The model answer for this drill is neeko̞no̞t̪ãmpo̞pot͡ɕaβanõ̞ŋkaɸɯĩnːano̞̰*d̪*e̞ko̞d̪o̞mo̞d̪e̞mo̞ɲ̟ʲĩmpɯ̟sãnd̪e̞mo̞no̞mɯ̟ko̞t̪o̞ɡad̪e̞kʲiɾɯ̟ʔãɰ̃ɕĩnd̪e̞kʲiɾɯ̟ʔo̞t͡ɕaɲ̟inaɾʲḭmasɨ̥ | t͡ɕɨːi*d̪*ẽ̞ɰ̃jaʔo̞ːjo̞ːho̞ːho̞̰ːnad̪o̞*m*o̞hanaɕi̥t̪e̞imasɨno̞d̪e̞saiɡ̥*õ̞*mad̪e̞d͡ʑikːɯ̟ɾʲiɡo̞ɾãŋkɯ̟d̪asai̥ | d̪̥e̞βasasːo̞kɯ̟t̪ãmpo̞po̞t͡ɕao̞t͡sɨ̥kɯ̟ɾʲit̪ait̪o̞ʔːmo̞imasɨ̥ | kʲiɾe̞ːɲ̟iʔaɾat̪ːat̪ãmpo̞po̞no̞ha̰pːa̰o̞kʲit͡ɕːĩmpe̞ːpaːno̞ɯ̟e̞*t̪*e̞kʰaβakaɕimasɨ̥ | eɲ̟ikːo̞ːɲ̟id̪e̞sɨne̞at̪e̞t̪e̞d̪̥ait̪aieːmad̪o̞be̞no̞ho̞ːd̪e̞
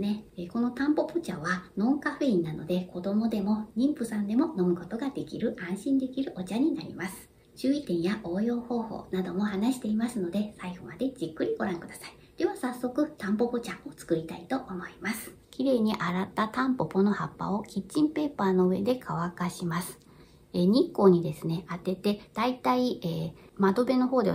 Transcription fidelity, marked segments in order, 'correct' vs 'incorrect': correct, incorrect, correct, incorrect, incorrect

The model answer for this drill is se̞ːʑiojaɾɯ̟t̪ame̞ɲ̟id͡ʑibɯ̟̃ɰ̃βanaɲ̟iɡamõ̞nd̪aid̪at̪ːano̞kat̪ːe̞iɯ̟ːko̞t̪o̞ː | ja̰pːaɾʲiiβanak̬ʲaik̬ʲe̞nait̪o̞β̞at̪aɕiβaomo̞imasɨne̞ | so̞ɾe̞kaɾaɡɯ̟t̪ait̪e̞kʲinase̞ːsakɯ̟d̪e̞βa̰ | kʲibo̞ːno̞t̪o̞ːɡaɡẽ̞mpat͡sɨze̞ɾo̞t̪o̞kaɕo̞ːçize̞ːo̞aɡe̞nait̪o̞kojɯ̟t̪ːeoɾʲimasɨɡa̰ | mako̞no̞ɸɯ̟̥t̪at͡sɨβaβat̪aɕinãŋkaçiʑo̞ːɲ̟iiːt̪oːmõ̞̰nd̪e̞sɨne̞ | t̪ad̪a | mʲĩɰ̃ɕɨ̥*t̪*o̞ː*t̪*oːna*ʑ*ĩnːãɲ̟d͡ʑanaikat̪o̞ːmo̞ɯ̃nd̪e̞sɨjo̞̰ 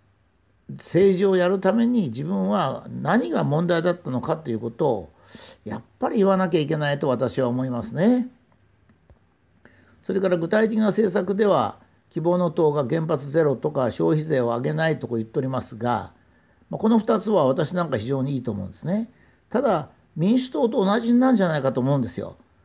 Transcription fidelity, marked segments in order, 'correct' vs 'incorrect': correct, correct, correct

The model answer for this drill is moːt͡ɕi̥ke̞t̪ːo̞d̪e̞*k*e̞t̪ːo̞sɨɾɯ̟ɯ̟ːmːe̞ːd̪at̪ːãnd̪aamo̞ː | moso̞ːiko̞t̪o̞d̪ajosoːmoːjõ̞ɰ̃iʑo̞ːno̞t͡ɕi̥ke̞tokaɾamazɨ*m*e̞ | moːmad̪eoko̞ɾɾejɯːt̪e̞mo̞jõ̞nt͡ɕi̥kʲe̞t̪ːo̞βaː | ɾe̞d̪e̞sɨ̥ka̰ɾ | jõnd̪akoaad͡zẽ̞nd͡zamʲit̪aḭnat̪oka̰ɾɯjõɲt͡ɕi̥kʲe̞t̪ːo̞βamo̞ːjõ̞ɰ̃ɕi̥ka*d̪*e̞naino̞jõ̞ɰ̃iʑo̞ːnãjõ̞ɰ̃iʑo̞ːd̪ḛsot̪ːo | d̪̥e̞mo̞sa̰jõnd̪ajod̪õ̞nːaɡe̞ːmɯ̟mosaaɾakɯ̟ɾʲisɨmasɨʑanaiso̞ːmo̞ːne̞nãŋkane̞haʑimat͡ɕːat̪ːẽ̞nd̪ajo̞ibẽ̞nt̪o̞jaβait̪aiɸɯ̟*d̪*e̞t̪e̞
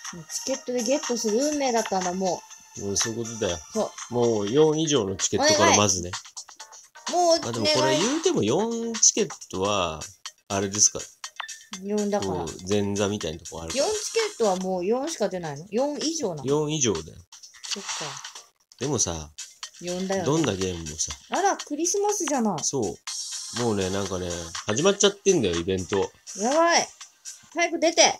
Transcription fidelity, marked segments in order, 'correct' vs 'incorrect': incorrect, incorrect, correct, correct

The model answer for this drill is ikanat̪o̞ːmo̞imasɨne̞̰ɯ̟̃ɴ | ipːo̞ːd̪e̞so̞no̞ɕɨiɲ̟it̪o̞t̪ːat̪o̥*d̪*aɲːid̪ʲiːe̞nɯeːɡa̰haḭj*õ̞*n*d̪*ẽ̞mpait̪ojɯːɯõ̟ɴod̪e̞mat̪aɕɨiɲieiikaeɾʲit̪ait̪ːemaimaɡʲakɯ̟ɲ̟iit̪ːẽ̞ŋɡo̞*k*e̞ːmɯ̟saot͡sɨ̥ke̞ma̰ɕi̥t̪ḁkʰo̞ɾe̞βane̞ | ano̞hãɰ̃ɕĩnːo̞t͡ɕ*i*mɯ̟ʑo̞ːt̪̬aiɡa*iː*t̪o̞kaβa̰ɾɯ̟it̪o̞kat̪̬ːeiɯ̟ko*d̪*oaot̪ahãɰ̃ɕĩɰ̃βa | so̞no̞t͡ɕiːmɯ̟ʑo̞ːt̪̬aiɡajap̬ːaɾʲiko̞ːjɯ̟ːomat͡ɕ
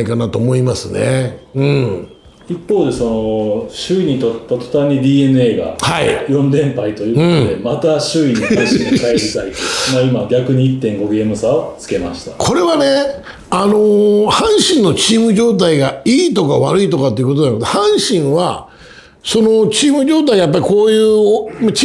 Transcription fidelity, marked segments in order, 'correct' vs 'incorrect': incorrect, correct, correct, incorrect, incorrect, correct, incorrect

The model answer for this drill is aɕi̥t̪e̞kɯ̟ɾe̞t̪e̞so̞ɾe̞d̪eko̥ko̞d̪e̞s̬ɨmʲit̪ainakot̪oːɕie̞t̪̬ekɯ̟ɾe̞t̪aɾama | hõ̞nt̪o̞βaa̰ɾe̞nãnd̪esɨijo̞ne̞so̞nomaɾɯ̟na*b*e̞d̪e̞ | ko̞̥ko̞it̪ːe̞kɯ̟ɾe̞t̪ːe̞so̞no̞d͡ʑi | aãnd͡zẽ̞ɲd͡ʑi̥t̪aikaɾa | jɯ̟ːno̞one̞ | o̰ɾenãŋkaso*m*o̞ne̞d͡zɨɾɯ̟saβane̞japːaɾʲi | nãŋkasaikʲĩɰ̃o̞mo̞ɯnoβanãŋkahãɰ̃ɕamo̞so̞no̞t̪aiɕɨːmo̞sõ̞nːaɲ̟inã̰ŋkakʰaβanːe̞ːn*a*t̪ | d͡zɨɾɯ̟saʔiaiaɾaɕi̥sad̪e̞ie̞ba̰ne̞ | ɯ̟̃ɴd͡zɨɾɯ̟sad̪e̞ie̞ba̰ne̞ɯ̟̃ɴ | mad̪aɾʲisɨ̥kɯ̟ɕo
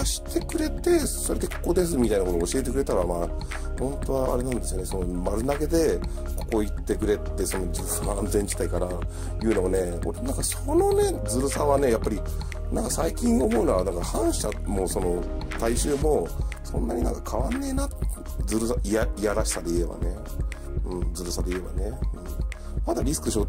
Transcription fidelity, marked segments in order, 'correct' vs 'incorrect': incorrect, incorrect, correct

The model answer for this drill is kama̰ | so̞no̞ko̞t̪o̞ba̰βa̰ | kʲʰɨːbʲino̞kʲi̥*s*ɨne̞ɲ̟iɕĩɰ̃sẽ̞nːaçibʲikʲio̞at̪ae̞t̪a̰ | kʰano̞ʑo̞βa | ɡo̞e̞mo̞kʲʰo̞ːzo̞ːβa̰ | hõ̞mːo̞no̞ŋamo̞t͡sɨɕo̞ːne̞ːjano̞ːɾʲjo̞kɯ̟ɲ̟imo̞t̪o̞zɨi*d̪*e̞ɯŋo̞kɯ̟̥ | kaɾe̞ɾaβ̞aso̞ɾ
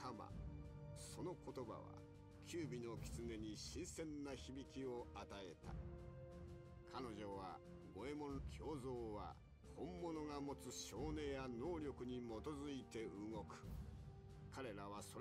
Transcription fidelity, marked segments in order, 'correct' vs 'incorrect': incorrect, incorrect

